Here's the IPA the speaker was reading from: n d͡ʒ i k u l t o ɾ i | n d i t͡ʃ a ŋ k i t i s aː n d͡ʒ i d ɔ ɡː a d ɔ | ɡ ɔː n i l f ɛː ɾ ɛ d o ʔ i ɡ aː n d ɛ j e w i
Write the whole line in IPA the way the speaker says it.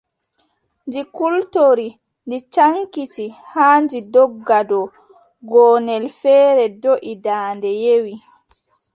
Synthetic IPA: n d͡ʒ i k u l t o ɾ i | n d i t͡ʃ a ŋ k i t i h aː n d͡ʒ i d ɔ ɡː a d ɔ | ɡ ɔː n ɛ l f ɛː ɾ ɛ d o ʔ i d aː n d ɛ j e w i